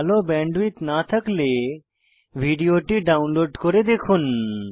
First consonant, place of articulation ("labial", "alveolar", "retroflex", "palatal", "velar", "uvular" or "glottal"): alveolar